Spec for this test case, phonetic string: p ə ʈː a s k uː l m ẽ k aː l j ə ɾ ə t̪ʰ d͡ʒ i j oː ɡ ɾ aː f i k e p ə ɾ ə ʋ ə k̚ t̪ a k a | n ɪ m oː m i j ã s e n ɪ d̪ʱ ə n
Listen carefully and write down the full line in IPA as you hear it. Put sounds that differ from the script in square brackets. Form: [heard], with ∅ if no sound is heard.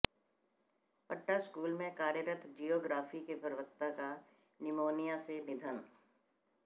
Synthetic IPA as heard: p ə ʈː a s k uː l m ẽ k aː [ɾ] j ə ɾ ə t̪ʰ d͡ʒ i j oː ɡ ɾ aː f i k e p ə ɾ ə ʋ ə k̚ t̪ a k a | n ɪ m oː [n] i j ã s e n ɪ d̪ʱ ə n